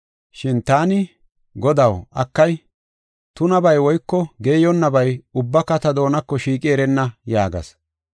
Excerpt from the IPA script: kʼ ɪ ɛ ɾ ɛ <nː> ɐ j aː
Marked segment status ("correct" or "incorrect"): correct